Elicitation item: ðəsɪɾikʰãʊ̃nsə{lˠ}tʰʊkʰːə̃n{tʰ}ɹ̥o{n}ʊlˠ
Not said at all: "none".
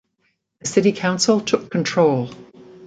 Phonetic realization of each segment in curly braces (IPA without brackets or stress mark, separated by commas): lˠ, tʰ, none